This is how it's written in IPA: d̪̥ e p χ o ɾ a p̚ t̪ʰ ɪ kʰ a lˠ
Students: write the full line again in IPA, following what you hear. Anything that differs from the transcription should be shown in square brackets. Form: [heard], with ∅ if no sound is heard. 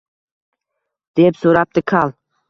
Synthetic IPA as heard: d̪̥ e p [s] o ɾ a p̚ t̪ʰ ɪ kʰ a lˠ